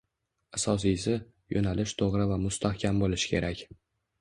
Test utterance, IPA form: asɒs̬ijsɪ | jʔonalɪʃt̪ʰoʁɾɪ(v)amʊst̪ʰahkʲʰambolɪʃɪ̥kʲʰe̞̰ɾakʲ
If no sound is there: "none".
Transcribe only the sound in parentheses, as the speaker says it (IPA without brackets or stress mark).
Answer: v